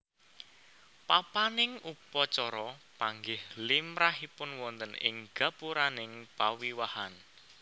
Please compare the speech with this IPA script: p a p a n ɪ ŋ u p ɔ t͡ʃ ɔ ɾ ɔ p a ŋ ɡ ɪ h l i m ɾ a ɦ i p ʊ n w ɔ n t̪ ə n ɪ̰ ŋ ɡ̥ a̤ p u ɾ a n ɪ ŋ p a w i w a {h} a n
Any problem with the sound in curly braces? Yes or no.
no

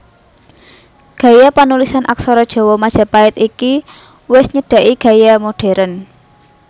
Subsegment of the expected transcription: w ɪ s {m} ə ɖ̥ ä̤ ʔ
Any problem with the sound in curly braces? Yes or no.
yes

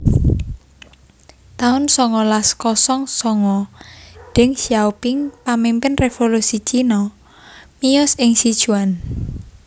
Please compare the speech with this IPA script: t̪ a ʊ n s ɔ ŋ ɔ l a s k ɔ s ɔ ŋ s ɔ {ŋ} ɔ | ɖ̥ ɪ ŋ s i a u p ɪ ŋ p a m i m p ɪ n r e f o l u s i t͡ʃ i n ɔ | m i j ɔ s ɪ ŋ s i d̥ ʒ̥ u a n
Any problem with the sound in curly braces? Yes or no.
no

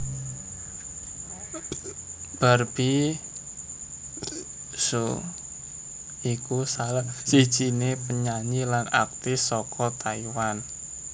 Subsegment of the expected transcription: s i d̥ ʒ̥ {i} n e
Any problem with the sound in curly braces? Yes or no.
no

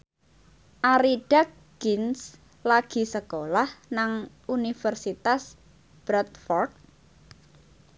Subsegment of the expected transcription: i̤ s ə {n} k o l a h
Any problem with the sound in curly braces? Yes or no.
yes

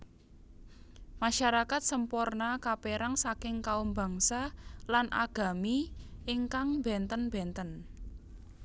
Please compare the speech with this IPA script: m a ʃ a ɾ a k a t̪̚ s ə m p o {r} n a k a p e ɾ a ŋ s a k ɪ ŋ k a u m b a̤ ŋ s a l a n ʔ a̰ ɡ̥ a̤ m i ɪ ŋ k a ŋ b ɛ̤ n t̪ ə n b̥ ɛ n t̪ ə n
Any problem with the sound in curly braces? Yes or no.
no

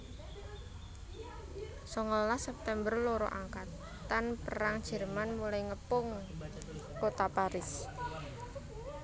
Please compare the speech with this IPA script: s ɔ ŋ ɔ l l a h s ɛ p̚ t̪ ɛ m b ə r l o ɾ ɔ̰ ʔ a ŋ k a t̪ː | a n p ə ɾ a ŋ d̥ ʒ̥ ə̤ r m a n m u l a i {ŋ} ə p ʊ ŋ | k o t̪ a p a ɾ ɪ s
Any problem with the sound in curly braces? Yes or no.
no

